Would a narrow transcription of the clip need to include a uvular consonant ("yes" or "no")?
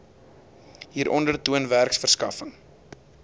no